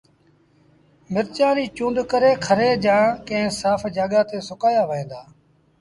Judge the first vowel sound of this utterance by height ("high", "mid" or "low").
high